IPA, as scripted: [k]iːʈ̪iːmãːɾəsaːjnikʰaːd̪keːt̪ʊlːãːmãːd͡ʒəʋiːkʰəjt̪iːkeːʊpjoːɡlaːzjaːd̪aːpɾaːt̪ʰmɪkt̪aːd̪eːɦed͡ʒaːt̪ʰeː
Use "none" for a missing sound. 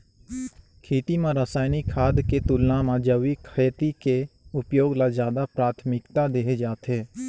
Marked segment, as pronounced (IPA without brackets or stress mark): kʰ